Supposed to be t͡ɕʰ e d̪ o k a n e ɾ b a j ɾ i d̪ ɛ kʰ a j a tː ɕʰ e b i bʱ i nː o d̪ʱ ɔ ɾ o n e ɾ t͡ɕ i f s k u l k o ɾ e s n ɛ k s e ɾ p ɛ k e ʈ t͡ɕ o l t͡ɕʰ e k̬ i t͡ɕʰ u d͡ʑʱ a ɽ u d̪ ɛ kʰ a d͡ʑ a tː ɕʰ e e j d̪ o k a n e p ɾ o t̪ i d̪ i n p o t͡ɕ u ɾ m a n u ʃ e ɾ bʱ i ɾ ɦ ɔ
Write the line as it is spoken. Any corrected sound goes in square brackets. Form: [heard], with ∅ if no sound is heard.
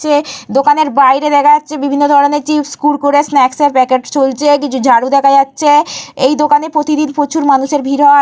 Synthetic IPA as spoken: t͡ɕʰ e d̪ o k a n e ɾ b a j ɾ [e] d̪ ɛ kʰ a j a tː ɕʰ e b i bʱ i nː o d̪ʱ ɔ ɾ o n e ɾ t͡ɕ i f s k u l k o ɾ e s n ɛ k s e ɾ p ɛ k e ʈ t͡ɕ o l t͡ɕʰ e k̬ i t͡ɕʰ u d͡ʑʱ a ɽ u d̪ ɛ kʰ a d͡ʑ a tː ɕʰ e e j d̪ o k a n e p ɾ o t̪ i d̪ i n p o [t͡ɕʰ] u ɾ m a n u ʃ e ɾ bʱ i ɾ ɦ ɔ

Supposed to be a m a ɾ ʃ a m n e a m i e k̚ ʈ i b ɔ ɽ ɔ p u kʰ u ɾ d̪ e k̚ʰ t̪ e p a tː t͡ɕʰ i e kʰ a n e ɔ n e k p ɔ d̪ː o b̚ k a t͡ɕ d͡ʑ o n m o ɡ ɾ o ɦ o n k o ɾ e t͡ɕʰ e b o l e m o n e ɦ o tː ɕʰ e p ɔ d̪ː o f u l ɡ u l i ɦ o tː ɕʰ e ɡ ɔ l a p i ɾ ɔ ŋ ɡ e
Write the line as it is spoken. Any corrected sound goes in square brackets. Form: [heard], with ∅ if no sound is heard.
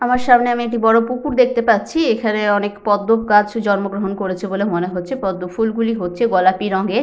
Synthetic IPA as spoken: a m a ɾ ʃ a m n e a m i e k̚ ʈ i b ɔ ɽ [o] p u [k] u ɾ d̪ e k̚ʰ t̪ e p a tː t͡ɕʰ i e kʰ a n e ɔ n e k p ɔ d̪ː o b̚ k a t͡ɕ d͡ʑ [ɔ] n m o ɡ ɾ o ɦ o n k o ɾ e t͡ɕʰ e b o l e m o n e ɦ o tː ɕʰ e p ɔ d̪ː o f u l ɡ u l i ɦ o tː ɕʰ e ɡ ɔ l a p i ɾ ɔ ŋ ɡ e

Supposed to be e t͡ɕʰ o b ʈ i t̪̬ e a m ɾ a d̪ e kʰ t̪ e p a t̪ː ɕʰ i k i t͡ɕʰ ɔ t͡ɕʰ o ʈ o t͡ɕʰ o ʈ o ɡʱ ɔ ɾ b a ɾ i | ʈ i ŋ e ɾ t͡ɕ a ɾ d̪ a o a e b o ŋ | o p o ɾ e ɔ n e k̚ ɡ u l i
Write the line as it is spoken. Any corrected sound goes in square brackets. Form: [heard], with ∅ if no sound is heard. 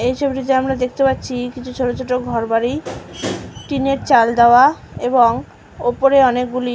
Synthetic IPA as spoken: e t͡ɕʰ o b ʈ i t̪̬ e a m ɾ a d̪ e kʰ t̪ e p a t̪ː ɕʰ i k i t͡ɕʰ [u] t͡ɕʰ o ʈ o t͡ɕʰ o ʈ o ɡʱ ɔ ɾ b a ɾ i | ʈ i [n] e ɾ t͡ɕ a [l] d̪ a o a e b o ŋ | o p o ɾ e ɔ n e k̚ ɡ u l i

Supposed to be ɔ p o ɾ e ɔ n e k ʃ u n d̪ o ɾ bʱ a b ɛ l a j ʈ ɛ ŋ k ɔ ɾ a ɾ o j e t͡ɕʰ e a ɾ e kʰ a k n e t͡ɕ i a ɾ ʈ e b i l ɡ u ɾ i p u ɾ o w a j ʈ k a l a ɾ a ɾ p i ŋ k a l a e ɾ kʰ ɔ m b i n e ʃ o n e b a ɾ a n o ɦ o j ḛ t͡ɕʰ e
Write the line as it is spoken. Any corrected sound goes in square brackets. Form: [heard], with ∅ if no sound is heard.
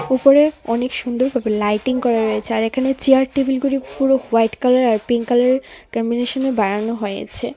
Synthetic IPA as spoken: [u] p o ɾ e ɔ n e k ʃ u n d̪ o ɾ bʱ a b [e] l a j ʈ [i] ŋ k ɔ ɾ a ɾ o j e t͡ɕʰ e a ɾ e kʰ a [∅] n e t͡ɕ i a ɾ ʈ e b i l ɡ u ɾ i p u ɾ o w a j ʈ k a l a ɾ a ɾ p i ŋ k a l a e ɾ [k] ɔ m b i n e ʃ o n e b a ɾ a n o ɦ o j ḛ t͡ɕʰ e

